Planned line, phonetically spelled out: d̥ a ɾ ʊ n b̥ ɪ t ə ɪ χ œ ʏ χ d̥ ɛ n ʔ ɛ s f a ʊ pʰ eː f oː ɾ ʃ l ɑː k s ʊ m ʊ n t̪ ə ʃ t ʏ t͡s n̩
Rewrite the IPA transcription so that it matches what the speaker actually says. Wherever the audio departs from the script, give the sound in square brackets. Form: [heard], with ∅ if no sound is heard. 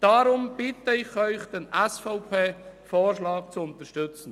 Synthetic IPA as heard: d̥ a ɾ ʊ [m] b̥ ɪ t ə ɪ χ œ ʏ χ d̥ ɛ n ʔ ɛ s f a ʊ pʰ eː f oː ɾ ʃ l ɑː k [t͡s] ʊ [∅] ʊ n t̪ ə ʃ t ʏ t͡s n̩